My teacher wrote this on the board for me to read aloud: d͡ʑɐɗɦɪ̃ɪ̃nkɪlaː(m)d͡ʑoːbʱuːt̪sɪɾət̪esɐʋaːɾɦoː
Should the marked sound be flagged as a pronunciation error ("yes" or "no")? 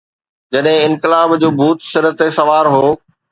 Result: yes